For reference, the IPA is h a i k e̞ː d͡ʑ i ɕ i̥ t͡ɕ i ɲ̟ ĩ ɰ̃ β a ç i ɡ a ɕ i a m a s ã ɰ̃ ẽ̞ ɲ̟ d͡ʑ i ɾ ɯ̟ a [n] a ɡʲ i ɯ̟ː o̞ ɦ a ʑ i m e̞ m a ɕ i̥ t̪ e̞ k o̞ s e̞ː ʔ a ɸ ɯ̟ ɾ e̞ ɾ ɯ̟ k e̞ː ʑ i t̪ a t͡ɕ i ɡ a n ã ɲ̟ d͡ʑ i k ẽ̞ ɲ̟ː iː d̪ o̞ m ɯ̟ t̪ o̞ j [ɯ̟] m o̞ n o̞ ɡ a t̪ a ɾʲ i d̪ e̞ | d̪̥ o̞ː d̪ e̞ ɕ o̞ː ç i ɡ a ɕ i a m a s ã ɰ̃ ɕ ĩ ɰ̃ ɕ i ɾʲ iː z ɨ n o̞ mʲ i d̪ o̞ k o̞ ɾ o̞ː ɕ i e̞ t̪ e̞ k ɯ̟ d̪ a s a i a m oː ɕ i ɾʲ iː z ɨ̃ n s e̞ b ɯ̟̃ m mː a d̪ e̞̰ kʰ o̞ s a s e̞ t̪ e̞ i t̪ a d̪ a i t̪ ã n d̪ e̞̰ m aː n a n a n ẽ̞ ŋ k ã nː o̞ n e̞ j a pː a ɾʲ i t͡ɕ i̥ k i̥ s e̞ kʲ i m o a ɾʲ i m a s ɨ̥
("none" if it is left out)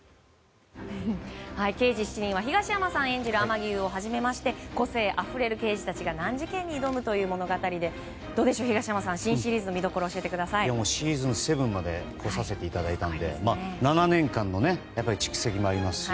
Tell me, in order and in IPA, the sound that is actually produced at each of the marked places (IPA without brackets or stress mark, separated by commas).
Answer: m, ɯ̟ː